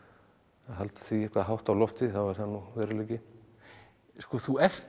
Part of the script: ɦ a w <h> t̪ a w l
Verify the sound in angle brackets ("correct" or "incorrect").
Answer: correct